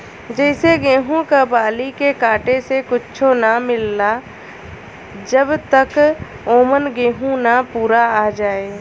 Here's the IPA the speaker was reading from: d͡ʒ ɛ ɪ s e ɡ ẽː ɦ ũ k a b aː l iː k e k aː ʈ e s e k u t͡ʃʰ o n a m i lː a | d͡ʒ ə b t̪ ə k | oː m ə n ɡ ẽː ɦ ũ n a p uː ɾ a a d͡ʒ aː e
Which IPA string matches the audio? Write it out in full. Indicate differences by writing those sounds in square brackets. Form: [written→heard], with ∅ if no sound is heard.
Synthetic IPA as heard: d͡ʒ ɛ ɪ s e ɡ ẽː ɦ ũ k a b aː l [iː→i] k e k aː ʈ e s e k [u→ʊ] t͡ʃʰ o n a m [i→ɪ] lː a | d͡ʒ ə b t̪ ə k | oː m ə n ɡ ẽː ɦ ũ n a p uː ɾ a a d͡ʒ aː e